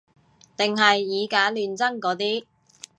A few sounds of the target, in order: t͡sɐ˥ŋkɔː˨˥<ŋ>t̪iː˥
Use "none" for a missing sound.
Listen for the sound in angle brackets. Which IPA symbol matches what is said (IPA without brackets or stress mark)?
none